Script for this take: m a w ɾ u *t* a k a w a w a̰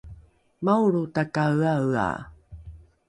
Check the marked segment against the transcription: correct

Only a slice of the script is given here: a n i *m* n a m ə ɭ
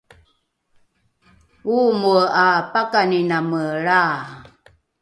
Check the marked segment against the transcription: incorrect: none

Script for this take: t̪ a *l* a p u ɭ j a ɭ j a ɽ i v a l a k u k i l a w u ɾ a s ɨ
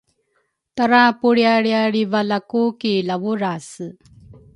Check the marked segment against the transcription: incorrect: ɾ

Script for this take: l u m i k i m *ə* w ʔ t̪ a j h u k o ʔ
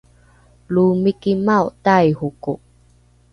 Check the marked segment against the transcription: incorrect: a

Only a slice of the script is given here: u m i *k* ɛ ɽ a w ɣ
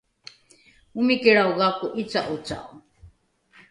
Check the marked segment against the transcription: correct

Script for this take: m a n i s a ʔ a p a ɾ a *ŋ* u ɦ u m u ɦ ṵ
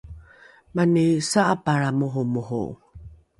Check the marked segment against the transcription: incorrect: m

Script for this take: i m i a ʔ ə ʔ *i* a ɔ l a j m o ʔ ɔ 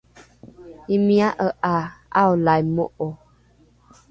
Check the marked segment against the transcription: incorrect: a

